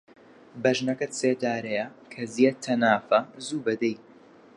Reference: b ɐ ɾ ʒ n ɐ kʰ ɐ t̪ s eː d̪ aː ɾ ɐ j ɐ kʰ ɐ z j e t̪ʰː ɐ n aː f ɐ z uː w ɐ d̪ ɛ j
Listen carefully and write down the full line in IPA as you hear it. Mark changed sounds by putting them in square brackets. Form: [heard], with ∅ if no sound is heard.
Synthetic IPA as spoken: b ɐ [∅] ʒ n ɐ [k] ɐ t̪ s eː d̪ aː ɾ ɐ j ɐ kʰ ɐ z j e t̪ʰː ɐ n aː f ɐ z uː [b] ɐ d̪ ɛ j